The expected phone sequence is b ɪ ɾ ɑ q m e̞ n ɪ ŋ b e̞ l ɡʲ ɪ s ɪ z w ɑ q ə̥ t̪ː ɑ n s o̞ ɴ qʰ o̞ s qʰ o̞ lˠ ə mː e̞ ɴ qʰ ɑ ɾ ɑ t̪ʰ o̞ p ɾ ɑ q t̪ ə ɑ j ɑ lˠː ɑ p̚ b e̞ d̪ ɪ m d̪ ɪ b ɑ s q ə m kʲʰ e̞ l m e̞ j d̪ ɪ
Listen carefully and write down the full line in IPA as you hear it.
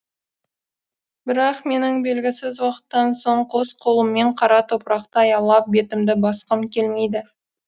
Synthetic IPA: b ɪ ɾ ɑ q m e̞ n ɪ ŋ b e̞ l ɡʲ ɪ s ɪ z w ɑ q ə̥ t̪ː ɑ n s o̞ ɴ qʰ o̞ s qʰ o̞ lˠ ə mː e̞ ɴ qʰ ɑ ɾ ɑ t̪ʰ o̞ p ɾ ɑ q t̪ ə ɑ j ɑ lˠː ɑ p̚ b e̞ t̪ ɪ m d̪ ɪ b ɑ s q ə m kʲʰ e̞ l m e̞ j d̪ ɪ